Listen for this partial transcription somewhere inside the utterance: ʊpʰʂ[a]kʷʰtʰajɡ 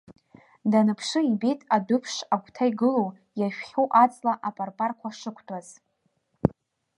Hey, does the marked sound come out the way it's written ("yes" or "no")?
yes